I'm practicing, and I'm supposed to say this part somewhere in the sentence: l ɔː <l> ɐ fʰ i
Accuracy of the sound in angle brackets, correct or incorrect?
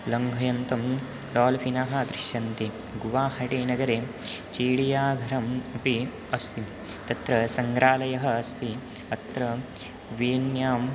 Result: correct